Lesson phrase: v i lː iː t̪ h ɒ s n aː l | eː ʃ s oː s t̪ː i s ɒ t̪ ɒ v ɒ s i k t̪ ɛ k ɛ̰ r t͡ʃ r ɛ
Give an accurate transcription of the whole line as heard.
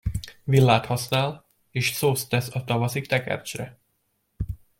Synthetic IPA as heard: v i lː aː t̪ h ɒ s n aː l | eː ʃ s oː s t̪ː ɛ s ɒ t̪ ɒ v ɒ s i k t̪ ɛ k ɛ̰ r t͡ʃ r ɛ